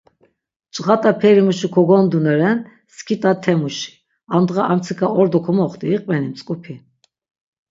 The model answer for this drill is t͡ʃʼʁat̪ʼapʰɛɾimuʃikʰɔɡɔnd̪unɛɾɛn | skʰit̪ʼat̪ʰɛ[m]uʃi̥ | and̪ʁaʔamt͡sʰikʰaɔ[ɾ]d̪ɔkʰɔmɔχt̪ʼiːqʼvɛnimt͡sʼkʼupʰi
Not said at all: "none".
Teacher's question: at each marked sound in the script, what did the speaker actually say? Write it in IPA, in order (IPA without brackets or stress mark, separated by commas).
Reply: m, ɾ